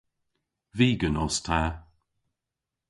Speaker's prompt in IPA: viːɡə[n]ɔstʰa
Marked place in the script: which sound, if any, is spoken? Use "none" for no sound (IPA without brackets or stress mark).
n